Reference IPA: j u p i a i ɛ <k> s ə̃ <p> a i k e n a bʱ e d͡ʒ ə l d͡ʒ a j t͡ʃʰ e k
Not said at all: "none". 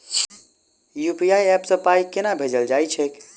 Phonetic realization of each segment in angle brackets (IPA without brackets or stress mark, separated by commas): p, p